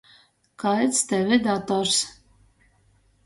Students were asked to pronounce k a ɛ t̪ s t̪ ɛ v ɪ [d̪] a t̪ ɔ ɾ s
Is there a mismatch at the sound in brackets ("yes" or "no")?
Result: no